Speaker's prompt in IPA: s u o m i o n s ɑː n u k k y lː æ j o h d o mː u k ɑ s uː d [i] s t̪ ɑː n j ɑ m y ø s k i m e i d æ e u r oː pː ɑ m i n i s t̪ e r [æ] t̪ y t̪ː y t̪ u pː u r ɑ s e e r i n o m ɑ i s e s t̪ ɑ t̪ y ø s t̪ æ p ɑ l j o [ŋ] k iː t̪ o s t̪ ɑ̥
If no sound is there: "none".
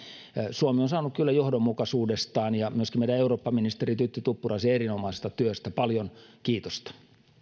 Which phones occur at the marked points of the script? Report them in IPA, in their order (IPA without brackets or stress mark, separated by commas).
e, i, n